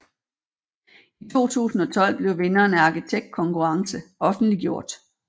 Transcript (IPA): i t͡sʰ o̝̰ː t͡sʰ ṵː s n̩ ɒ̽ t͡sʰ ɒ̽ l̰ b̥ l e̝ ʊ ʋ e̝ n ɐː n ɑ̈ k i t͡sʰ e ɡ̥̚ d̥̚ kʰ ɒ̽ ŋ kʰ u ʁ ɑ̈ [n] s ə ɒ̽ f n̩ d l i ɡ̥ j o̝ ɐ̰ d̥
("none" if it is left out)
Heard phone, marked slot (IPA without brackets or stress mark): ŋ